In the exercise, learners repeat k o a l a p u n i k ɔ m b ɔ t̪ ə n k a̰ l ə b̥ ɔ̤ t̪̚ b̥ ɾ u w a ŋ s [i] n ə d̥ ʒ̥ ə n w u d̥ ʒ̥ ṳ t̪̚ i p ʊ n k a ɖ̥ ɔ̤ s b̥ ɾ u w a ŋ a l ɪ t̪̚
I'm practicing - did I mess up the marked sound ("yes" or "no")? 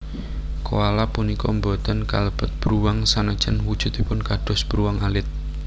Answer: yes